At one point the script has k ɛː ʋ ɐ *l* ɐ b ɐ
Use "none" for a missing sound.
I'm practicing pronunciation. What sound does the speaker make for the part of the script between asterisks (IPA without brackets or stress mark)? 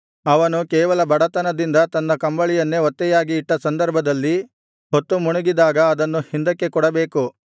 l